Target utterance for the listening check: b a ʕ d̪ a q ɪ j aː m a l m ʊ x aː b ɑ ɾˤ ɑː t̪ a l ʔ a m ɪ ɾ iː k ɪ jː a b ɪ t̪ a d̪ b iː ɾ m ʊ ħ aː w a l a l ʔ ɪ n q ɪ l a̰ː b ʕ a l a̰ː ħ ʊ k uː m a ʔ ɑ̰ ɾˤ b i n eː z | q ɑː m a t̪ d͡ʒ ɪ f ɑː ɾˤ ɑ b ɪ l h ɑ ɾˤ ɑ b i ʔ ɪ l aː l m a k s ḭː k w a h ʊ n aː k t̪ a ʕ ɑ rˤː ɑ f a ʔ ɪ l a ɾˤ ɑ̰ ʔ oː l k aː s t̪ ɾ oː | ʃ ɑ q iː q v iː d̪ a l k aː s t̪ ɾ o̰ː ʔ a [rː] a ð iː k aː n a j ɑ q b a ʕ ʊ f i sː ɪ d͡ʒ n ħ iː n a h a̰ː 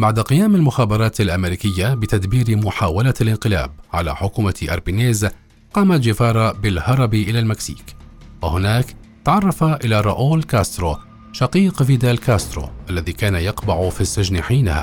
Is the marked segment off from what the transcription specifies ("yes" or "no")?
yes